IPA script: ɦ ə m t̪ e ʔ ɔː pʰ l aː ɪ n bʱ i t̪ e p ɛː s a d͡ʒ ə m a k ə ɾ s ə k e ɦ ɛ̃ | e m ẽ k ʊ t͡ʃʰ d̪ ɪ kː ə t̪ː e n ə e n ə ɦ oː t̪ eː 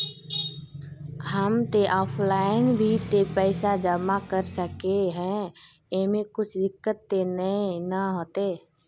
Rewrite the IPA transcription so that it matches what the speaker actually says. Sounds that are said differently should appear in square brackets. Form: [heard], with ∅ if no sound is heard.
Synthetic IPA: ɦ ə m t̪ e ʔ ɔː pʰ l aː ɪ n bʱ i t̪ e p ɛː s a d͡ʒ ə m a k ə ɾ s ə k e ɦ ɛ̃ | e m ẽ k ʊ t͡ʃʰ d̪ ɪ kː ə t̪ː e n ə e n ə ɦ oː t̪ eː